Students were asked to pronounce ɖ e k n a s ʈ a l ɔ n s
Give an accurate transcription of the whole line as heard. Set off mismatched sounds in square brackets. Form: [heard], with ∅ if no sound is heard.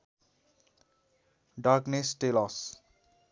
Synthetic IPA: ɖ [a] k n [e] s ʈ [e] l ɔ [∅] s